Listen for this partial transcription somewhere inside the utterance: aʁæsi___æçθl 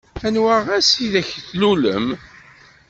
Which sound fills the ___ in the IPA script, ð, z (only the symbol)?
ð